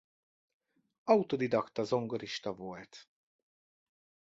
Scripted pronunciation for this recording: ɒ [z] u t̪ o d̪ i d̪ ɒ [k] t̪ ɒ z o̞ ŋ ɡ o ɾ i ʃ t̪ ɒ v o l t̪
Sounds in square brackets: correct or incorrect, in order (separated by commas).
incorrect, correct